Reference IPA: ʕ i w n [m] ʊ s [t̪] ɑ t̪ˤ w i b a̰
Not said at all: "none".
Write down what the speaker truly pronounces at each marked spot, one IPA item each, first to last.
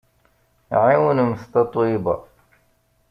m, t̪

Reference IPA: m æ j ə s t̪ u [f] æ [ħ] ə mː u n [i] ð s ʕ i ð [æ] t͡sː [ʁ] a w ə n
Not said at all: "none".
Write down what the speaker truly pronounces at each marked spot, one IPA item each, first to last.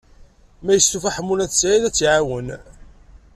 f, ħ, æ, æ, ʕ

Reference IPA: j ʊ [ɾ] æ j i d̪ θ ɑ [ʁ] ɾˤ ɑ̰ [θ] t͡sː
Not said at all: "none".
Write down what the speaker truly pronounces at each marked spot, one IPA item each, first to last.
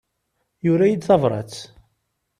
ɾ, v, none

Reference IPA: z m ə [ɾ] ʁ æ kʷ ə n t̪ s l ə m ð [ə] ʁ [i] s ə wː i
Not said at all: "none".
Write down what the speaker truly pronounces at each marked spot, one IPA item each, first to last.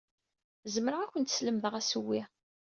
ɾ, ə, æ

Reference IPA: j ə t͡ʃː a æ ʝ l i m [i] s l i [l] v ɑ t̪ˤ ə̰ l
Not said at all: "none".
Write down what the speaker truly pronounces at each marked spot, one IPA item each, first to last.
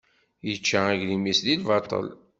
i, l

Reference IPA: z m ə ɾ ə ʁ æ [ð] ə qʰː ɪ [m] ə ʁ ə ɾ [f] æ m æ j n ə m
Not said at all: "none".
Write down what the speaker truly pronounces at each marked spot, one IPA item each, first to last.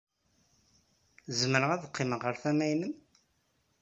ð, m, θ

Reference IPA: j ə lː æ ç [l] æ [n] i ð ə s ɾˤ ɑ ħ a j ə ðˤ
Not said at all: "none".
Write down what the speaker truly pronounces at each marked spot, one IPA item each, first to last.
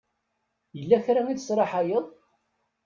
ɾ, m

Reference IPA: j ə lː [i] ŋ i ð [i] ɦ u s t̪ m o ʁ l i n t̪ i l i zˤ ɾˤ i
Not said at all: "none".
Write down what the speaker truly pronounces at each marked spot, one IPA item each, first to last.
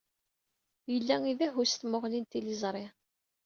æ, æ

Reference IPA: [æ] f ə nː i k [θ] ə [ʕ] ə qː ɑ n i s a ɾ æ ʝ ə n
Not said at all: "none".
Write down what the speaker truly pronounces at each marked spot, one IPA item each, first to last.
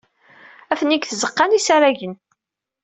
æ, θ, z

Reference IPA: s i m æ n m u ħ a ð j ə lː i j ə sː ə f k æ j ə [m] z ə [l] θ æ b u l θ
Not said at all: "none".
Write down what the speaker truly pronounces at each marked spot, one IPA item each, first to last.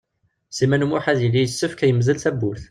m, l

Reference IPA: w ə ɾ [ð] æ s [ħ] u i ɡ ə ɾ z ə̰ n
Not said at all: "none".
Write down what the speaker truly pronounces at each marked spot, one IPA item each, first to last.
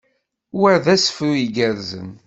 ð, f

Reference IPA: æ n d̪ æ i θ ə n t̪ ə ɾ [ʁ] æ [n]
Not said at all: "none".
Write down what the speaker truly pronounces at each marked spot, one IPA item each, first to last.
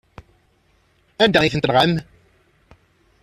ʁ, m

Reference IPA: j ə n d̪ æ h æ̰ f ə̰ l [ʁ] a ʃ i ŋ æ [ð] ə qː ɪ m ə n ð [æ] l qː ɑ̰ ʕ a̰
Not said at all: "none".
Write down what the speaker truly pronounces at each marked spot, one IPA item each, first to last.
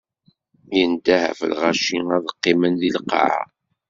ʁ, ð, i

